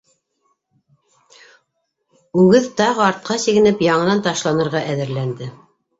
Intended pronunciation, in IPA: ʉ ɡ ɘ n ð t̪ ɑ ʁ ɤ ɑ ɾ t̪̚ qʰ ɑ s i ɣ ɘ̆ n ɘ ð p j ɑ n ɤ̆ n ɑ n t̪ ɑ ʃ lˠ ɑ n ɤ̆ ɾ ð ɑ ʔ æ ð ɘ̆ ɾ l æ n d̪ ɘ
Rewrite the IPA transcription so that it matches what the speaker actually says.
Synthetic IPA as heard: ʉ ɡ ɘ ð t̪ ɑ ʁ ɤ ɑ ɾ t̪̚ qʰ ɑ s i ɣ ɘ̆ n ɘ p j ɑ ɴ ɤ̆ n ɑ n t̪ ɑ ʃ lˠ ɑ n ɤ̆ ɾ ʁ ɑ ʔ æ ð ɘ̆ ɾ l æ n d̪ ɘ

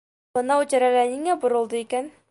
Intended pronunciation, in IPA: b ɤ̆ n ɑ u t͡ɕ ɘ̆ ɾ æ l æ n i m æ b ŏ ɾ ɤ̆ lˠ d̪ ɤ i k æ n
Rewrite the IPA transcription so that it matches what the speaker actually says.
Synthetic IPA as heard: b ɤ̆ n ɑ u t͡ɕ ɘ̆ ɾ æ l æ n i ŋ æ b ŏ ɾ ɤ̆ lˠ d̪ ɤ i k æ n

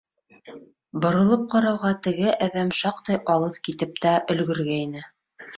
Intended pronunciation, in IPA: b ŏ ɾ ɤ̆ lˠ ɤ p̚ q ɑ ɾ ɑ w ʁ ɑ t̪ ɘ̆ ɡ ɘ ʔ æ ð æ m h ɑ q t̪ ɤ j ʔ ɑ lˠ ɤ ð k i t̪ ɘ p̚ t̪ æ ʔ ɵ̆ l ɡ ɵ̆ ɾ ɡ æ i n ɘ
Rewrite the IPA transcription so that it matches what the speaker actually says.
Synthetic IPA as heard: b ŏ ɾ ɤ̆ lˠ ɤ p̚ q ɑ ɾ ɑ w ʁ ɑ t̪ ɘ̆ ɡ ɘ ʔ æ ð æ m ʃ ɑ q t̪ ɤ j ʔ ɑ lˠ ɤ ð k i t̪ ɘ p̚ t̪ æ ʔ ɵ̆ l ɡ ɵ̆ ɾ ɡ æ i n ɘ

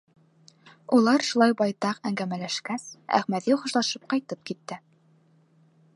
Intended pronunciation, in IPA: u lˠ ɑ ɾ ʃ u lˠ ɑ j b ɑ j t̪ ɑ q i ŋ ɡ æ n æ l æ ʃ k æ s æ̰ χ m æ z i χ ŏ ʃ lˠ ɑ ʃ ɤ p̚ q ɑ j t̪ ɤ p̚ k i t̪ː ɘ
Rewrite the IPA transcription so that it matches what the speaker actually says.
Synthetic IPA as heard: u lˠ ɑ ɾ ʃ u lˠ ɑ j b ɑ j t̪ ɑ q æ ŋ ɡ æ m æ l æ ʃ k æ s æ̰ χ m æ ð i χ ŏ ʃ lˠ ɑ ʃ ɤ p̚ q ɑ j t̪ ɤ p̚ k i t̪ː ɘ

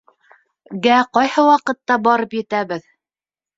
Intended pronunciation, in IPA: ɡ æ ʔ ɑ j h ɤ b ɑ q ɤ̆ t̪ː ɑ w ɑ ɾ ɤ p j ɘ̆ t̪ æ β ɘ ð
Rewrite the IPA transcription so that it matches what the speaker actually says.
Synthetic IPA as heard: ɡ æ q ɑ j h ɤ w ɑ q ɤ̆ t̪ː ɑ b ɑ ɾ ɤ p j ɘ̆ t̪ æ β ɘ ð

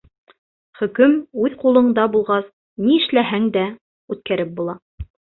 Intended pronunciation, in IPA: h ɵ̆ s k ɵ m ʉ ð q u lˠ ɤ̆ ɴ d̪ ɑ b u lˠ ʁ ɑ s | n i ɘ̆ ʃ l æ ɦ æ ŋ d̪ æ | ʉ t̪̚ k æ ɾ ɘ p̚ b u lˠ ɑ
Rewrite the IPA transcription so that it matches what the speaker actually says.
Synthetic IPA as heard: χ ɵ̆ k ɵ m ʉ ð q u lˠ ɤ̆ ɴ d̪ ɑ b u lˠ ʁ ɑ s | n i ɘ̆ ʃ l æ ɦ æ ŋ d̪ æ | ʉ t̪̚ k æ ɾ ɘ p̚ b u lˠ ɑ

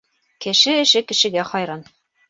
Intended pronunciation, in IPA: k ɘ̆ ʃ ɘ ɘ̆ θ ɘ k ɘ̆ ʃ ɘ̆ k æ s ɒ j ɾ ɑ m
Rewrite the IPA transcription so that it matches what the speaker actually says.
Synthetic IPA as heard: k ɘ̆ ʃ ɘ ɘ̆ ʃ ɘ k ɘ̆ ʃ ɘ̆ ɡ æ χ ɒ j ɾ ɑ n

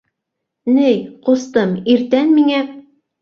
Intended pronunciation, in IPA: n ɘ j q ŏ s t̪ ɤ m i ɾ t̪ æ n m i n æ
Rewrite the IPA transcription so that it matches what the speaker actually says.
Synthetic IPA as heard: n ɘ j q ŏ s t̪ ɤ m i ɾ t̪ æ n m i ŋ æ

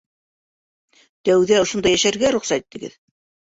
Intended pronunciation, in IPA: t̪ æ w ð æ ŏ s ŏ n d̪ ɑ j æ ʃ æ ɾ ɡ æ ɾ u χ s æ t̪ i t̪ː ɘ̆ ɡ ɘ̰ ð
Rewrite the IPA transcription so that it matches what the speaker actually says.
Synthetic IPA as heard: t̪ æ w ð æ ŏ ʃ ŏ n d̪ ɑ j æ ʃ æ ɾ ɡ æ ɾ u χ s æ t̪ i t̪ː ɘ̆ ɡ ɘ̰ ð

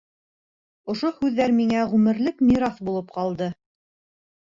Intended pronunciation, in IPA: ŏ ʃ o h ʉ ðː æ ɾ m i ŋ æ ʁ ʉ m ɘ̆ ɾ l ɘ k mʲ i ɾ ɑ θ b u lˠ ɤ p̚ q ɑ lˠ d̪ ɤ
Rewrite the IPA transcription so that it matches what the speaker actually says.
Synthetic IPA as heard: ŏ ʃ o h ʉ ðː æ ɾ m i ŋ æ ʁ ʉ m ɘ̆ ɾ l ɘ k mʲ i ɾ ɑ θ b u lˠ ɤ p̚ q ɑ lˠ d̪ ɤ

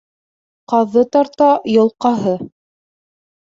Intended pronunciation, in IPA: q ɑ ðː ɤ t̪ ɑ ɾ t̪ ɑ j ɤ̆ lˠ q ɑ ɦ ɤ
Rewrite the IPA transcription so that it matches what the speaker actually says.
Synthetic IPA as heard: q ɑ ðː ɤ t̪ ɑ ɾ t̪ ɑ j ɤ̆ lˠ q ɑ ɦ ɤ

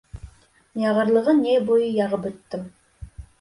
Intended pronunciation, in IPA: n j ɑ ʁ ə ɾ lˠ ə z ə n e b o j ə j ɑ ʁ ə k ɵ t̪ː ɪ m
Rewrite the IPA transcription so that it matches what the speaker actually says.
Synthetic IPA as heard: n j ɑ ʁ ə ɾ lˠ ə ʁ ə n e b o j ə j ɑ ʁ ə p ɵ t̪ː ɪ m

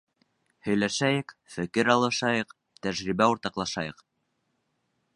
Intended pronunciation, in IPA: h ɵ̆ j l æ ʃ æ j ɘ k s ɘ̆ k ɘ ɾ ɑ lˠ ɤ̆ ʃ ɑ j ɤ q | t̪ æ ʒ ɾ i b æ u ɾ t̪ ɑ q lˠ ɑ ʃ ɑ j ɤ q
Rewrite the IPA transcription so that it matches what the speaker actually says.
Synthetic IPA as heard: h ɵ̆ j l æ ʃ æ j ɘ k f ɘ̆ k ɘ ɾ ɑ lˠ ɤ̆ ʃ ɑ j ɤ q | t̪ æ ʒ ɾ i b æ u ɾ t̪ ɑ q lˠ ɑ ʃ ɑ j ɤ q

